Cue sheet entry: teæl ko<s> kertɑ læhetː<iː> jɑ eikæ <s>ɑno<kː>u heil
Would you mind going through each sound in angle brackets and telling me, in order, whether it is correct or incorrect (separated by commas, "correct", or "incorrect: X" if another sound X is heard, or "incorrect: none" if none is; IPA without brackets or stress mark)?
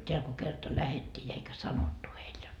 incorrect: none, correct, correct, incorrect: tː